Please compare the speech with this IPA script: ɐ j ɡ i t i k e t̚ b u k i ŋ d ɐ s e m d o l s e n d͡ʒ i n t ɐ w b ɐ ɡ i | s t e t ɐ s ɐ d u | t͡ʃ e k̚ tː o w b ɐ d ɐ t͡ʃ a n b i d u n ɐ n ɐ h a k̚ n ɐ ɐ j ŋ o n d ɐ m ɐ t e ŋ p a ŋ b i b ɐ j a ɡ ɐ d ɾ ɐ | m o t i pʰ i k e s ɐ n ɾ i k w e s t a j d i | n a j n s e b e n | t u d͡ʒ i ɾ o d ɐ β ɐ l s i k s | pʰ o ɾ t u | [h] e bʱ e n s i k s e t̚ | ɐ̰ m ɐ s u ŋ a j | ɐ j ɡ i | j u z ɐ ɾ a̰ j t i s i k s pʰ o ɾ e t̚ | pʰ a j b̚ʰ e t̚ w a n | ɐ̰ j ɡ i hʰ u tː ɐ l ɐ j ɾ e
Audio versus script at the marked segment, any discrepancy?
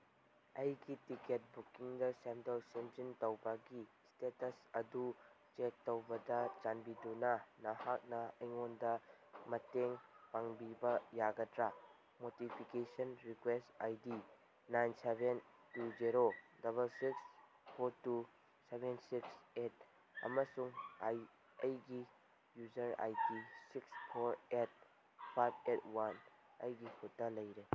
yes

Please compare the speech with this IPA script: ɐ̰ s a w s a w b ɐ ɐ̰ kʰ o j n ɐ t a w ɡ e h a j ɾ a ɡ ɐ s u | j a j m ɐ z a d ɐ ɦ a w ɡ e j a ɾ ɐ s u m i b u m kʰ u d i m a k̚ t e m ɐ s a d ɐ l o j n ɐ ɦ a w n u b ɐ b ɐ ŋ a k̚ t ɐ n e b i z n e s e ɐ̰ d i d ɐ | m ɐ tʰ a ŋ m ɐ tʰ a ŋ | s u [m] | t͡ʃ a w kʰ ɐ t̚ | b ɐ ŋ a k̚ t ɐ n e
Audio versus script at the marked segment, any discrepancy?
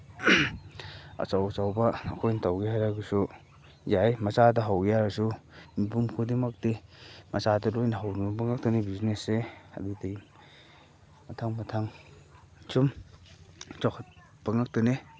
no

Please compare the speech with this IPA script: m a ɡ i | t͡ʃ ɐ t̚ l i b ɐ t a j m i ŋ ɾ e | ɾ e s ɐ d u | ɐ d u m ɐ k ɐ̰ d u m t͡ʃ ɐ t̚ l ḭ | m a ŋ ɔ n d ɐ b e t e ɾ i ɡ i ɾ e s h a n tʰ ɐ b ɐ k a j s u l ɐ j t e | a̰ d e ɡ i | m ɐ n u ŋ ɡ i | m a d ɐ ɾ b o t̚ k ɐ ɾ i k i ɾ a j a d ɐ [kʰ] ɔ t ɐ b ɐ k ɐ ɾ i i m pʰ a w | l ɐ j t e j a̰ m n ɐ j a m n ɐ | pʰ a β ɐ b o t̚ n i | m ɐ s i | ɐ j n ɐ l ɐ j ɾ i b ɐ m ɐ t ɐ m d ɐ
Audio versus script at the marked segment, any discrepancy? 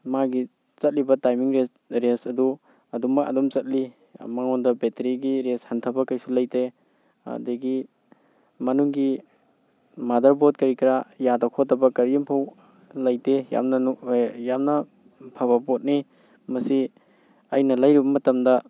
no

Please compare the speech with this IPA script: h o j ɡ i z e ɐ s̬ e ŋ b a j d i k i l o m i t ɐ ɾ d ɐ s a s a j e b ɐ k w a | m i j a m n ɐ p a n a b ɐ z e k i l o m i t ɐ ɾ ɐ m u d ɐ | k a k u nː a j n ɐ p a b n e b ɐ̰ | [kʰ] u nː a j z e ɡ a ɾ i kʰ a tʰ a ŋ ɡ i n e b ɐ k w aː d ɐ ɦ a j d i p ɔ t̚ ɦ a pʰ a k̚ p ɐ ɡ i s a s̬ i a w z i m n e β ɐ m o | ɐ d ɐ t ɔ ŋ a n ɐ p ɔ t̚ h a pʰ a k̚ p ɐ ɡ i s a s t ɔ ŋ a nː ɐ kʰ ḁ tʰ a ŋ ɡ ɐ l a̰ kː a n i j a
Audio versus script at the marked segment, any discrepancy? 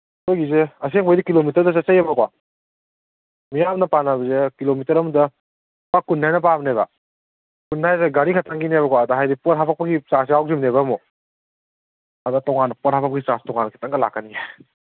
yes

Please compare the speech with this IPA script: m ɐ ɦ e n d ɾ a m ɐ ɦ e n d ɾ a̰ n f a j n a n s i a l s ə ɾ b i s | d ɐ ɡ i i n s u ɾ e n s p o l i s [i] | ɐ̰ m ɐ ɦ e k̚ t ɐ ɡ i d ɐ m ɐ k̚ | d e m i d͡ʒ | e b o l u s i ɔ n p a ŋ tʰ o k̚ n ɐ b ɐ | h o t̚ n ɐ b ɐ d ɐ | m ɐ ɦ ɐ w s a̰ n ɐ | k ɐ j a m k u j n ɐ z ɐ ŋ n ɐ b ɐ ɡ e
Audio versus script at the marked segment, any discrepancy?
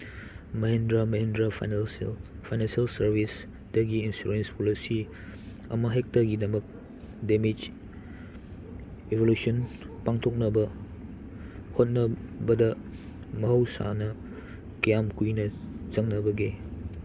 no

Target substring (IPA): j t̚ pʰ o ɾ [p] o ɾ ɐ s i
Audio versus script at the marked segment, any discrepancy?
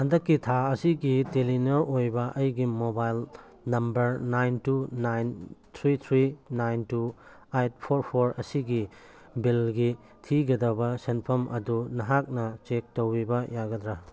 yes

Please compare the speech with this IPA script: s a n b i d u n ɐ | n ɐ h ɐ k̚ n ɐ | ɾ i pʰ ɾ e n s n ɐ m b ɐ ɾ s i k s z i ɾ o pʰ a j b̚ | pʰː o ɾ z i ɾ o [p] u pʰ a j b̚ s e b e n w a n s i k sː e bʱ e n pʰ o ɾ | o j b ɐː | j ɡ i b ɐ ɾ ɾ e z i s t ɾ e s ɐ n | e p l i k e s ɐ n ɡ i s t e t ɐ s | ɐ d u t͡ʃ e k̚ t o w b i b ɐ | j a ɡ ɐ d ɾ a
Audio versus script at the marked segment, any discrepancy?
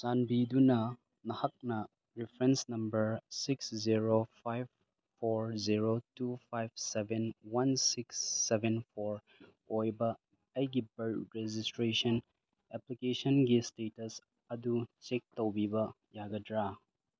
yes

